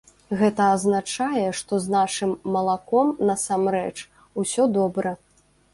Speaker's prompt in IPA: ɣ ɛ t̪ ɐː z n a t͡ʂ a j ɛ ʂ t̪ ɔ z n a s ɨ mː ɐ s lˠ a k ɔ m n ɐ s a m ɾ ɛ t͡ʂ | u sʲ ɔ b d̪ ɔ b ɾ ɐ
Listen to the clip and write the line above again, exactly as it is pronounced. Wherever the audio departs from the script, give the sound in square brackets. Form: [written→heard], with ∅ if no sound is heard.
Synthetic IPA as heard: ɣ ɛ t̪ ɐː z n a t͡ʂ a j ɛ ʂ t̪ ɔ z n a [s→ʂ] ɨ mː ɐ [s→∅] lˠ a k ɔ m n ɐ s a m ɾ ɛ t͡ʂ | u sʲ ɔ [b→∅] d̪ ɔ b ɾ ɐ